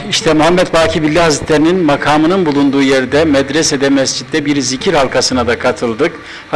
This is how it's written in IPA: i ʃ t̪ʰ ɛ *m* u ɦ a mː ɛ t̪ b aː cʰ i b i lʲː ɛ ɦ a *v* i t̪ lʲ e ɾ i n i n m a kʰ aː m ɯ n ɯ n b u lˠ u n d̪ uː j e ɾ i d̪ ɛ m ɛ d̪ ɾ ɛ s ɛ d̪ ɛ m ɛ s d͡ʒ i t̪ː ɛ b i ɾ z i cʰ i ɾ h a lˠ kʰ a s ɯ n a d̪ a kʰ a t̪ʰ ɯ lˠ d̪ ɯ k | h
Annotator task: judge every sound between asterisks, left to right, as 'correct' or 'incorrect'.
correct, incorrect

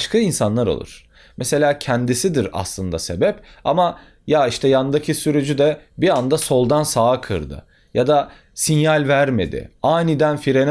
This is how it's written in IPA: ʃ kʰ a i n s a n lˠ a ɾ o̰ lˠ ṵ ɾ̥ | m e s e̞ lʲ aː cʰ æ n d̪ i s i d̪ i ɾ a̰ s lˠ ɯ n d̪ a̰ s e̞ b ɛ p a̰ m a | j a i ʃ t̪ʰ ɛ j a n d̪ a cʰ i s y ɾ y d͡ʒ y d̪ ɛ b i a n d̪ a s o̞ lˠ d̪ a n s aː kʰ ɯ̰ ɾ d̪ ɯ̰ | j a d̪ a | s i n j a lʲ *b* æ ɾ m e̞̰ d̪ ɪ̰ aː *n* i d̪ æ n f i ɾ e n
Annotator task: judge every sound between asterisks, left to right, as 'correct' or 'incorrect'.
incorrect, correct

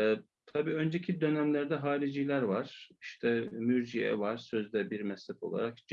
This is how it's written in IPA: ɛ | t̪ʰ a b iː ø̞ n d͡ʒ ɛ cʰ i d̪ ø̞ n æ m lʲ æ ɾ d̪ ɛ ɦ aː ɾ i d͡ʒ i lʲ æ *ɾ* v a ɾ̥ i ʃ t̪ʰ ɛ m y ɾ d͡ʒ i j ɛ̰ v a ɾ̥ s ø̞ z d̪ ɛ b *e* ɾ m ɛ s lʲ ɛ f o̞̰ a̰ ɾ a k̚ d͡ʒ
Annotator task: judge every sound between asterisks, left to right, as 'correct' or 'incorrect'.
correct, incorrect

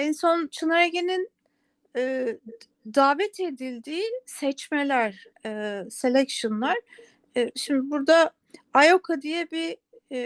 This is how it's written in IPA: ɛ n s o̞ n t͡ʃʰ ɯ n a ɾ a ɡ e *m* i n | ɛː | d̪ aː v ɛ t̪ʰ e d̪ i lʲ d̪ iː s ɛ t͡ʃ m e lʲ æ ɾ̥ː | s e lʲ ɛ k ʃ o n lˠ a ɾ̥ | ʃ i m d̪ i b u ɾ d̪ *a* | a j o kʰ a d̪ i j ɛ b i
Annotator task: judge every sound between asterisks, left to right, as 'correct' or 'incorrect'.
incorrect, correct

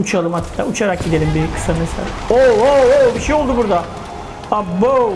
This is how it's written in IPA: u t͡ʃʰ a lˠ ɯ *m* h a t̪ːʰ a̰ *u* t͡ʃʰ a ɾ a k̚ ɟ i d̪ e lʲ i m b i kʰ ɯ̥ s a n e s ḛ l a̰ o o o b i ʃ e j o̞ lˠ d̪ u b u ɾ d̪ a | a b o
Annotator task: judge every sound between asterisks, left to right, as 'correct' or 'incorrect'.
correct, correct

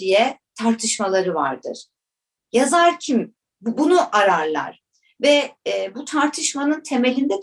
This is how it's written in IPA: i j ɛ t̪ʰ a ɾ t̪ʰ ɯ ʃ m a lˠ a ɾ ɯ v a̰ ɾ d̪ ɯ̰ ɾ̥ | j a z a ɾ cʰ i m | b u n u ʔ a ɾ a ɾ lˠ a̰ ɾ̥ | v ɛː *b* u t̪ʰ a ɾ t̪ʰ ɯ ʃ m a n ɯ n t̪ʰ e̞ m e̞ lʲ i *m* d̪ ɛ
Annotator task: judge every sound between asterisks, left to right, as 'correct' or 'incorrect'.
correct, incorrect

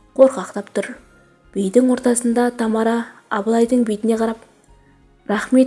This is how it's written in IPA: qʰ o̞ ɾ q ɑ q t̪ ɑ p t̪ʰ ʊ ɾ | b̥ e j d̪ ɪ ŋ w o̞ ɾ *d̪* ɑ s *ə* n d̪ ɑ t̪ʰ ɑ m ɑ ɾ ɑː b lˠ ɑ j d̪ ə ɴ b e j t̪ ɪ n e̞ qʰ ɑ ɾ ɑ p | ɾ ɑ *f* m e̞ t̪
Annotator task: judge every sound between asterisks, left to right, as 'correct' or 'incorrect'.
incorrect, correct, incorrect

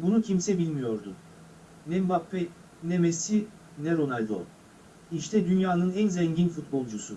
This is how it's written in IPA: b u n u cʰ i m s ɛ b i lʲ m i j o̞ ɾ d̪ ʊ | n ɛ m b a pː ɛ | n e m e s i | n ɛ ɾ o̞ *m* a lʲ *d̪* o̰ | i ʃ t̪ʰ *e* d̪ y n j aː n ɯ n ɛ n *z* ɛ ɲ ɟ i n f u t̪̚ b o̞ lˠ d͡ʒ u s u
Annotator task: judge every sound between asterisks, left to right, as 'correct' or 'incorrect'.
incorrect, correct, incorrect, correct

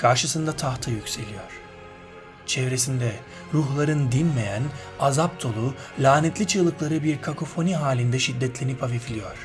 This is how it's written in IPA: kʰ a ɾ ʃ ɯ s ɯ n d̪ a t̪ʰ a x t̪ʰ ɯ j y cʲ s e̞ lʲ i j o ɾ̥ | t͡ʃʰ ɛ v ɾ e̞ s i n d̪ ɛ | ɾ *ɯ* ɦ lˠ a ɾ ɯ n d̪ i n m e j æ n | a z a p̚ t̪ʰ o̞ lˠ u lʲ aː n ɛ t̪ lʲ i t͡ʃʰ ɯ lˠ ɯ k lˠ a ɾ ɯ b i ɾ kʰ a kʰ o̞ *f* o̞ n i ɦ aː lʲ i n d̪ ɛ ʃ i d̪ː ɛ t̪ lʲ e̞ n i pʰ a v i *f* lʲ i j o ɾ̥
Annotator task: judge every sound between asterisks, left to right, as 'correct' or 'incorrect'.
incorrect, correct, correct

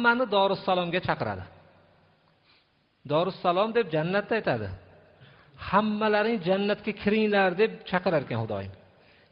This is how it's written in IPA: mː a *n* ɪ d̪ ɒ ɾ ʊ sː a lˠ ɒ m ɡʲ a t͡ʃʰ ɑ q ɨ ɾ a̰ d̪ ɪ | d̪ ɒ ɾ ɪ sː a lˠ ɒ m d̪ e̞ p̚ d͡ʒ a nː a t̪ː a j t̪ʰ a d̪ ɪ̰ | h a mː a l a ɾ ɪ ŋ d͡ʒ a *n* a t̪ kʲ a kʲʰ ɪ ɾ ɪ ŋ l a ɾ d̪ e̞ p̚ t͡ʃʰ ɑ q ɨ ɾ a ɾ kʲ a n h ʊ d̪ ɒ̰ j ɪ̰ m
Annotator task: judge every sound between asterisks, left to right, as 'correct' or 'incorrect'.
correct, incorrect

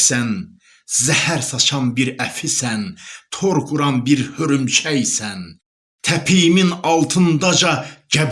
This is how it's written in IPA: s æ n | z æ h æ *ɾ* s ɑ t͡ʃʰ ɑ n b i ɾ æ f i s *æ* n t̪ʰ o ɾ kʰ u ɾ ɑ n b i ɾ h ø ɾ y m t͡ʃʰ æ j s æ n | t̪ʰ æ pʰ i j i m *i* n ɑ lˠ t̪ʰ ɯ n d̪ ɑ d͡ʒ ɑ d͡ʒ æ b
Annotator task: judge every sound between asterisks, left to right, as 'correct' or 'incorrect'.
correct, correct, correct

